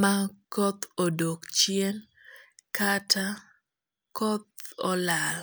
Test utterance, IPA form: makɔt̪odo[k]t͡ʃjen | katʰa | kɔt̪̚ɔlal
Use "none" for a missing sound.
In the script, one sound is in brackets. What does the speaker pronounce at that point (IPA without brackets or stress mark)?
k